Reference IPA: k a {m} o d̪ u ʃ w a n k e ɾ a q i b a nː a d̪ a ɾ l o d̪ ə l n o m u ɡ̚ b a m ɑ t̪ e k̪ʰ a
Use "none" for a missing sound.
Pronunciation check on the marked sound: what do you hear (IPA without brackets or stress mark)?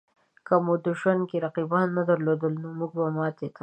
m